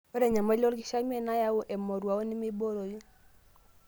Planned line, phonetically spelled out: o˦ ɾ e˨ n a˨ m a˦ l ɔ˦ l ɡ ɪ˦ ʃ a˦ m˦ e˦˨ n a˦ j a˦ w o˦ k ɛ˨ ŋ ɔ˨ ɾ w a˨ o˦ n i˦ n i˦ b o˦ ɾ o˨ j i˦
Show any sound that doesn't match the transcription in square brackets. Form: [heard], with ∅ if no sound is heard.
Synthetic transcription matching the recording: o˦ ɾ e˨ [ɲ] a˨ m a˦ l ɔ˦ l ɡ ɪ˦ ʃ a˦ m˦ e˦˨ n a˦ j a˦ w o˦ [ʔ] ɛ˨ [m] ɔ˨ ɾ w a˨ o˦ n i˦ [m] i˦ b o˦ ɾ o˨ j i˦